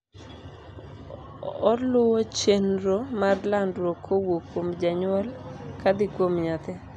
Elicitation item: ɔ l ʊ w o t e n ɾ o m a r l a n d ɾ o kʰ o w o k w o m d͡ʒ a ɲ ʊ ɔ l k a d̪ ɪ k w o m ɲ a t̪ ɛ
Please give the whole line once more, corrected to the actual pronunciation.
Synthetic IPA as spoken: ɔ l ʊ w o t͡ʃ e n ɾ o m a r l a n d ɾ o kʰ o w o k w o m d͡ʒ a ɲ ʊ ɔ l k a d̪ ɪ k w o m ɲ a t̪ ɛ